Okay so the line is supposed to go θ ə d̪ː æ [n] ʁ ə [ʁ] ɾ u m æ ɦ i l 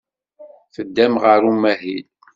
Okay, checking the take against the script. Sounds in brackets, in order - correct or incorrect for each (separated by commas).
incorrect, incorrect